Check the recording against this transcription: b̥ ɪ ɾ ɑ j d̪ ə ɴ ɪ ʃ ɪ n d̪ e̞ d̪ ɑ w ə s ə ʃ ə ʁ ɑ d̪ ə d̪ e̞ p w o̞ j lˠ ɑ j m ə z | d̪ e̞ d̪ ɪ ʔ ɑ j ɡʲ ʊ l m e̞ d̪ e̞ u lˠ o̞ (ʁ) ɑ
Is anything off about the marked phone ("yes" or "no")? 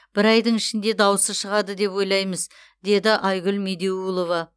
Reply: yes